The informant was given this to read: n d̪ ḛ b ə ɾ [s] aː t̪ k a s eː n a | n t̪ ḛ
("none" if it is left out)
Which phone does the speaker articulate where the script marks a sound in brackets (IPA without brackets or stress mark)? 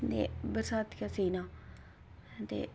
s